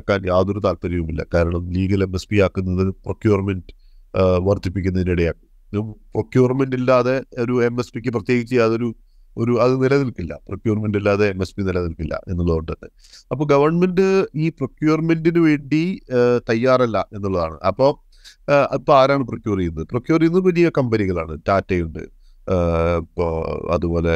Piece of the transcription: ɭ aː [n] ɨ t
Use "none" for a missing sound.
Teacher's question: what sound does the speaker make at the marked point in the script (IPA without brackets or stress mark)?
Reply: ɳ